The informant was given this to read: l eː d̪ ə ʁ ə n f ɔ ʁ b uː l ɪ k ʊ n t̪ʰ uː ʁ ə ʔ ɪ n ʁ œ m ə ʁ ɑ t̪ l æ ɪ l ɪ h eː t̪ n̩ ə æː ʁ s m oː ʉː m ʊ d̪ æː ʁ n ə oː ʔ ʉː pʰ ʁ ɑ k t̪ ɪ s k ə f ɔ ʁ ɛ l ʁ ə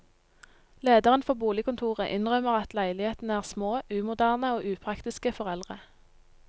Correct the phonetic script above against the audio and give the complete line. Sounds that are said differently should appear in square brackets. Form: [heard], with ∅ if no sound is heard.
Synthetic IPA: l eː d̪ ə ʁ ə n f ɔ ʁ b uː l ɪ k ʊ n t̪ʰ uː ʁ ə ʔ ɪ n ʁ œ m ə ʁ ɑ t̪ l æ ɪ l ɪ h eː t̪ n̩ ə æː ʁ s m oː ʉː m ʊ d̪ æː ʁ n ə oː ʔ ʉː pʰ ʁ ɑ k t̪ ɪ s k ə f ɔ ʁ ɛ l ʁ ə